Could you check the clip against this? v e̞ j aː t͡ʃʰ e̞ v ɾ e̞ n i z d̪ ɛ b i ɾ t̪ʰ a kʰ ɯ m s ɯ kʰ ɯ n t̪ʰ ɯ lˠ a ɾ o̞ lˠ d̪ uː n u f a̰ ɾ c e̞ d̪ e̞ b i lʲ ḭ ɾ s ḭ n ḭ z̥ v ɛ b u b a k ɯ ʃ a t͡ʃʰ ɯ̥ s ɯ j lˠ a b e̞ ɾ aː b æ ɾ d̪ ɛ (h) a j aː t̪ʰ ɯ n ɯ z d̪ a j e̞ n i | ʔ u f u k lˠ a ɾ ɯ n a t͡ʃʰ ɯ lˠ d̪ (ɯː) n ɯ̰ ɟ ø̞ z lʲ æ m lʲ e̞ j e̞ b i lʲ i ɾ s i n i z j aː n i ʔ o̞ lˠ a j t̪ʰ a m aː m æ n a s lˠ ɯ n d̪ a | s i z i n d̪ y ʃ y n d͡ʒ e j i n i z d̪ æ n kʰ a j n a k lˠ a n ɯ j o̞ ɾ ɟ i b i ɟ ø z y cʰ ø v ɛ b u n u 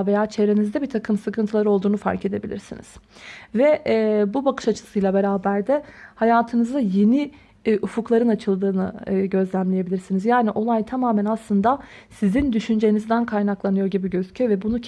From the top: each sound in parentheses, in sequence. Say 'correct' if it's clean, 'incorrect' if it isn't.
correct, correct

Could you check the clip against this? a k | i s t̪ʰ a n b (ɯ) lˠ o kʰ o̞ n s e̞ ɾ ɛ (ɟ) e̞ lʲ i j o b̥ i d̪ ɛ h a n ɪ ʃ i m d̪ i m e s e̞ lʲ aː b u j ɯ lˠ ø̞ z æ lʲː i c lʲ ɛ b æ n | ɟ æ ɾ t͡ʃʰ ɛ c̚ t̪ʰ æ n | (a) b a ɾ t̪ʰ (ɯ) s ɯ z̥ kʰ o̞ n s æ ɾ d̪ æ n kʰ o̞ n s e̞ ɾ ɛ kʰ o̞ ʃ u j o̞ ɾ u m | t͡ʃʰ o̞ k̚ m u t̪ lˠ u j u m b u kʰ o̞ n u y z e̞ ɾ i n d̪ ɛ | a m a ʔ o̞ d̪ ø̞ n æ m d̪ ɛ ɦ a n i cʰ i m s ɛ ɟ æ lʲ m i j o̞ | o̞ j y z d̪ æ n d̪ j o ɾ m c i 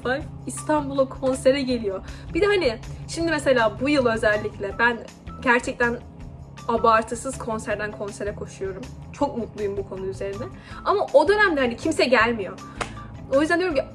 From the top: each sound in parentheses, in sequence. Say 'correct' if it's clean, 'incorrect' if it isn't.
incorrect, correct, correct, correct

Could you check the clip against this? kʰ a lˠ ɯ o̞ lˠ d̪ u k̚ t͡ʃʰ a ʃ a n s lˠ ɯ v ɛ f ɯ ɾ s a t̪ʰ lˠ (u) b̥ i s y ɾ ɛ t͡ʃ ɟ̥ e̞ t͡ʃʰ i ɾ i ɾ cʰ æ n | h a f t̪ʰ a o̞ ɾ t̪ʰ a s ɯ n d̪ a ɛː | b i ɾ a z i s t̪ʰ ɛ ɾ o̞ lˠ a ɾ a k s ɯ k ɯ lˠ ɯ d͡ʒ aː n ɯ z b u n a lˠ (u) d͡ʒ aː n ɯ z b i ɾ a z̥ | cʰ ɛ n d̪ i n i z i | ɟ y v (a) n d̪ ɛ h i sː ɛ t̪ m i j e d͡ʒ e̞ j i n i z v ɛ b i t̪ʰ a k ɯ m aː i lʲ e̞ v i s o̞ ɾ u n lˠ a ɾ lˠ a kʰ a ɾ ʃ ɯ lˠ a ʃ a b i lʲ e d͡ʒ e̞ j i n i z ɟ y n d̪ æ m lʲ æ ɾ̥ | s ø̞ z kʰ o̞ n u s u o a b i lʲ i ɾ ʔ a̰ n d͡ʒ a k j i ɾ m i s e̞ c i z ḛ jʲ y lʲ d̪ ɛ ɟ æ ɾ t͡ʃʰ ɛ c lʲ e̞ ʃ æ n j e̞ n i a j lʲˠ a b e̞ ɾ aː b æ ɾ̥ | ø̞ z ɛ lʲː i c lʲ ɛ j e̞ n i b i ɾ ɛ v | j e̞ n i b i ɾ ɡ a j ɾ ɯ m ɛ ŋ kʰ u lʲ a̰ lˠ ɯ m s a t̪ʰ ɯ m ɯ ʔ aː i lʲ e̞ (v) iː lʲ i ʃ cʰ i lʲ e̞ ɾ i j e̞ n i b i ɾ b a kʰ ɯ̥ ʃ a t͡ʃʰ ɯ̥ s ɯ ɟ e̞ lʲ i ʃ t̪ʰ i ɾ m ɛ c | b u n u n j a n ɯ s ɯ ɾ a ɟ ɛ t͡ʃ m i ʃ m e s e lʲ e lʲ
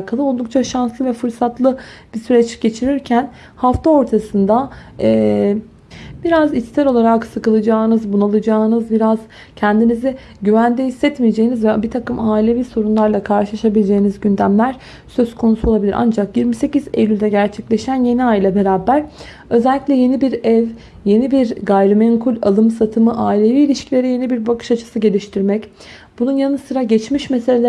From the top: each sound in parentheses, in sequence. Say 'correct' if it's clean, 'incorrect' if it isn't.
incorrect, incorrect, incorrect, correct

